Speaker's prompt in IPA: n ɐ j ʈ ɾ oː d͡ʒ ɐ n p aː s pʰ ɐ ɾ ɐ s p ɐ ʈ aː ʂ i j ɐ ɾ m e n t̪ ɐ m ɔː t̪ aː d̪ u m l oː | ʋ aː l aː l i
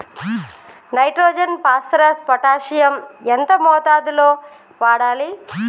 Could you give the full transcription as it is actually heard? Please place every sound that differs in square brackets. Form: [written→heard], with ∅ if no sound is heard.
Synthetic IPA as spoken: n ɐ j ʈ ɾ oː d͡ʒ ɐ n p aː s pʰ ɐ ɾ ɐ s p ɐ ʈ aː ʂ i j ɐ [ɾ→∅] m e n t̪ ɐ m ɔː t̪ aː d̪ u [m→∅] l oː | ʋ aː [l→ɽ] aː l i

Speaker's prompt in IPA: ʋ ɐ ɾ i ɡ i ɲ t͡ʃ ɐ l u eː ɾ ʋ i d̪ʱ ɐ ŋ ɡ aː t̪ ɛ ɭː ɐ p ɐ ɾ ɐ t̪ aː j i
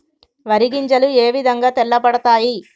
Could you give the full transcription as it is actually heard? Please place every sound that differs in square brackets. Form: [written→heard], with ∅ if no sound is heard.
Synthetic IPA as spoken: ʋ ɐ ɾ i ɡ i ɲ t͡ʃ ɐ l u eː [ɾ→∅] ʋ i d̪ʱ ɐ ŋ ɡ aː t̪ ɛ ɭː ɐ p ɐ [ɾ→ɽ] ɐ t̪ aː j i

